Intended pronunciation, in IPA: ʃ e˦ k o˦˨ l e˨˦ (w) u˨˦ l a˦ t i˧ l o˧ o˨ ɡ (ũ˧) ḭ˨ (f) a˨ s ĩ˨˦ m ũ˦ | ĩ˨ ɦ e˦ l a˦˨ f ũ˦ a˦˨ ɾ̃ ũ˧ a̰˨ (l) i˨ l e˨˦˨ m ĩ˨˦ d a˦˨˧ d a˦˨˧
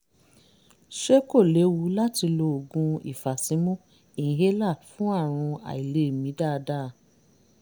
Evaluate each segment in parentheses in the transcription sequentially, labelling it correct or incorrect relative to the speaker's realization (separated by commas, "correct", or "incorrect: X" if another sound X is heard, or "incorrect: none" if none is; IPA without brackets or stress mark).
correct, correct, correct, incorrect: none